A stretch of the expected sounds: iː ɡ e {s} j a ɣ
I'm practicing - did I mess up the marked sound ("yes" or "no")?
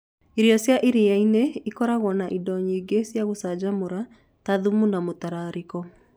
no